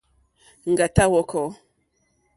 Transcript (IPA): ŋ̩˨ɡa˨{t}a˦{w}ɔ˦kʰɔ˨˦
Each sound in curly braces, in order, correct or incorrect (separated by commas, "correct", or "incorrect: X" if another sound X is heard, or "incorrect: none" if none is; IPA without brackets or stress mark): correct, correct